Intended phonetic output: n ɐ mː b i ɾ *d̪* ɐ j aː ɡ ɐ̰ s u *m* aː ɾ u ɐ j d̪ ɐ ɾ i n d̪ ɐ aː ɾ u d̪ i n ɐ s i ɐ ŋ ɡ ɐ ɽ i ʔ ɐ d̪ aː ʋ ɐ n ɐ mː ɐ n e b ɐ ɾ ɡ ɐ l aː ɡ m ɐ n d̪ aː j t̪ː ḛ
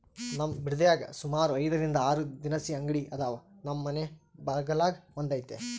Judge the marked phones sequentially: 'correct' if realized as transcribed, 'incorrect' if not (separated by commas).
correct, correct